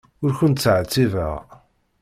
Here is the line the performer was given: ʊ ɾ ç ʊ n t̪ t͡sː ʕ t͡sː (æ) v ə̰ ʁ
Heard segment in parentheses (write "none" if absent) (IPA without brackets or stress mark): i